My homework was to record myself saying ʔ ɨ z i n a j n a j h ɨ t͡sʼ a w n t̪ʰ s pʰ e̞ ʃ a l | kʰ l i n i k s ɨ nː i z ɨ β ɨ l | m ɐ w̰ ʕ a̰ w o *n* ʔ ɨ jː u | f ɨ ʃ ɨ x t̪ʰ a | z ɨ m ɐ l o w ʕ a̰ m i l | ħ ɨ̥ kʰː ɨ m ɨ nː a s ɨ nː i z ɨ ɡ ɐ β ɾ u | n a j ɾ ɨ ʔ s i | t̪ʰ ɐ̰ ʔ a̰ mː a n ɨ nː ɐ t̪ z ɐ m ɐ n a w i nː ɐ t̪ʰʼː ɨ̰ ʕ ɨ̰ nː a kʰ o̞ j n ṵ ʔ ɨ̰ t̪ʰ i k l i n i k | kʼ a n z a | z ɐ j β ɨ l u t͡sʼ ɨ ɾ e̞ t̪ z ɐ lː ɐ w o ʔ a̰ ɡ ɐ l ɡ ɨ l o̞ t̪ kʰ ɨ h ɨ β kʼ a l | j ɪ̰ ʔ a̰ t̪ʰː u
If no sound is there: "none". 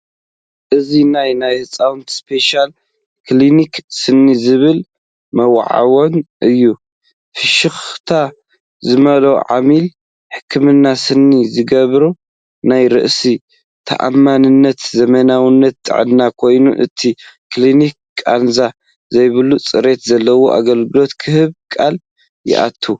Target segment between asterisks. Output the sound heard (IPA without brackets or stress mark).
n